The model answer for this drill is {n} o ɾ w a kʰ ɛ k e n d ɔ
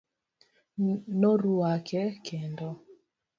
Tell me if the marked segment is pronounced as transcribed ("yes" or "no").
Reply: yes